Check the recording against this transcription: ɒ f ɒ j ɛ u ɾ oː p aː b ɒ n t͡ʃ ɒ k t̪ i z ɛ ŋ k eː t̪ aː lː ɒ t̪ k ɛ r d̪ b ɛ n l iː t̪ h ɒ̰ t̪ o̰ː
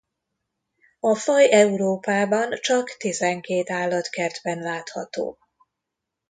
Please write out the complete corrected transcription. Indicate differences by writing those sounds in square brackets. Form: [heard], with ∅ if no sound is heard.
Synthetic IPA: ɒ f ɒ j ɛ u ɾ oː p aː b ɒ n t͡ʃ ɒ k t̪ i z ɛ ŋ k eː t̪ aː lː ɒ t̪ k ɛ r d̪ b ɛ n l [aː] t̪ h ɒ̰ t̪ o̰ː

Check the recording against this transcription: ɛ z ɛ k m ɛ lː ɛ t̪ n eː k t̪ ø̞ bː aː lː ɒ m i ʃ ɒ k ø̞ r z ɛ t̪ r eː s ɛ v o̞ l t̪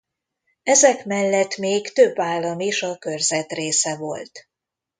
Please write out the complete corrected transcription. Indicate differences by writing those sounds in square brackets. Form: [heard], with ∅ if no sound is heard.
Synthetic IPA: ɛ z ɛ k m ɛ lː ɛ t̪ [m] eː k t̪ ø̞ bː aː lː ɒ m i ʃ ɒ k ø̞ r z ɛ t̪ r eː s ɛ v o̞ l t̪

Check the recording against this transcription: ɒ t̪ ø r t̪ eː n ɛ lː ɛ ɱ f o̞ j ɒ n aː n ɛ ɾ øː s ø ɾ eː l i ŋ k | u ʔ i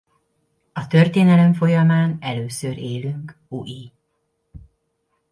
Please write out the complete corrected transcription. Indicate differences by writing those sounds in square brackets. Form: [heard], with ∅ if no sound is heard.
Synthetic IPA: ɒ t̪ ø r t̪ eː n ɛ [l] ɛ ɱ f o̞ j ɒ [m] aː n ɛ [l] øː s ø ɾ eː l [y] ŋ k | u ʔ i

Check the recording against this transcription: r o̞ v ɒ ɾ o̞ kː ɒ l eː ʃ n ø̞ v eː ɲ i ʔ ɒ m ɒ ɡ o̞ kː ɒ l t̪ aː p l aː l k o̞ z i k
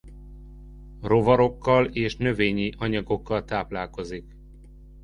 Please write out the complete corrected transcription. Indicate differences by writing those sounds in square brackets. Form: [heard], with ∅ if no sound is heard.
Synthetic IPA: r o̞ v ɒ ɾ o̞ kː ɒ l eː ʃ n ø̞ v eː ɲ i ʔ ɒ [ɲ] ɒ ɡ o̞ kː ɒ l t̪ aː p l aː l k o̞ z i k

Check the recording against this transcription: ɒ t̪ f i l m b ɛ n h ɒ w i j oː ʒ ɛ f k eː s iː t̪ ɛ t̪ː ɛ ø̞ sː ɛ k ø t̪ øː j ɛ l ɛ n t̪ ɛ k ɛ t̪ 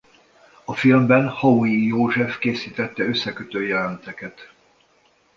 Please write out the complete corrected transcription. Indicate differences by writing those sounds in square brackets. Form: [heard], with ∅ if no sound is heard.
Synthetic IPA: ɒ [∅] f i l m b ɛ n h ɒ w i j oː ʒ ɛ f k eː s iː t̪ ɛ t̪ː ɛ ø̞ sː ɛ k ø t̪ øː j ɛ l ɛ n t̪ ɛ k ɛ t̪

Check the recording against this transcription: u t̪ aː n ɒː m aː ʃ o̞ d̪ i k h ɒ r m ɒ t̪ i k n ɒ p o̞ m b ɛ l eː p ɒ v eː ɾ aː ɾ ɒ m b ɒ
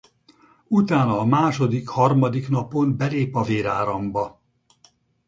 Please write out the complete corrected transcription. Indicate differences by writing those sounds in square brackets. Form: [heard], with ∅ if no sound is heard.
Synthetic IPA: u t̪ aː n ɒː m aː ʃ o̞ d̪ i k h ɒ r m ɒ [d̪] i k n ɒ p o̞ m b ɛ l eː p ɒ v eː ɾ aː ɾ ɒ m b ɒ

